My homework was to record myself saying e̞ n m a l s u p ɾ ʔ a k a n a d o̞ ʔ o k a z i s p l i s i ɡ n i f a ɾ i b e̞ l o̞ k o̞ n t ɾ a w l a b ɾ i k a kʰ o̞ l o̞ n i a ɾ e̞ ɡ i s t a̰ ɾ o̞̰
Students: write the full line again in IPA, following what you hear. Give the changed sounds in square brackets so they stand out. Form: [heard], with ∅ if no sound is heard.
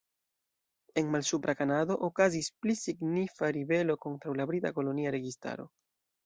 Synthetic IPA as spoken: e̞ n m a l s u p ɾ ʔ a k a n a d o̞ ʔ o k a z i s p l i s i ɡ n i f a ɾ i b e̞ l o̞ k o̞ n t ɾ a w l a b ɾ i [t] a [k] o̞ l o̞ n i a ɾ e̞ ɡ i s t a̰ ɾ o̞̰